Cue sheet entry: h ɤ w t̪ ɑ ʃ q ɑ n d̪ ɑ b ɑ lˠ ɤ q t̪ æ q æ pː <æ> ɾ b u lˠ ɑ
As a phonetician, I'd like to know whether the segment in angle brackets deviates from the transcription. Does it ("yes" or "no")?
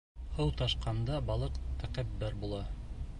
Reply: no